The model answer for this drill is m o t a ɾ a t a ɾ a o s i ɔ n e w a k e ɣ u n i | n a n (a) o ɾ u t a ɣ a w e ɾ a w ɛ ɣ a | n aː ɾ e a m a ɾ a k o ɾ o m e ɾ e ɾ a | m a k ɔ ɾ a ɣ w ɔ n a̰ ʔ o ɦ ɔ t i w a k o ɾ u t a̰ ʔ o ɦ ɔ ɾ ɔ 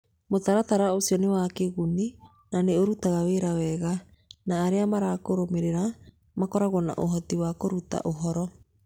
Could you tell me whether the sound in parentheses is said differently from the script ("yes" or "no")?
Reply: yes